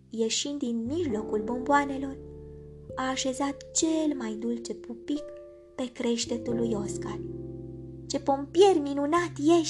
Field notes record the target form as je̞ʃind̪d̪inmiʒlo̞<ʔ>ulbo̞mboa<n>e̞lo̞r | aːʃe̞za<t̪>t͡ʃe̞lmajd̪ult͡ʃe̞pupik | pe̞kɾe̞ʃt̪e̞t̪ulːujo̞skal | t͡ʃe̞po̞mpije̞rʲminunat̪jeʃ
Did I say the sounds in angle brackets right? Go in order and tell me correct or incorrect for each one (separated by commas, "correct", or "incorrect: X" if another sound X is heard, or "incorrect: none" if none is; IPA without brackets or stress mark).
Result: incorrect: k, correct, correct